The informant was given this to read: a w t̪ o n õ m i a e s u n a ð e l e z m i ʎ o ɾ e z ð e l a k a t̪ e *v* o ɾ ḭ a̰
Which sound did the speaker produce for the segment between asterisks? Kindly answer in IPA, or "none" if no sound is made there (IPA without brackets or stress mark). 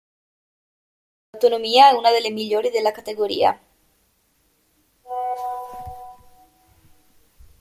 ɣ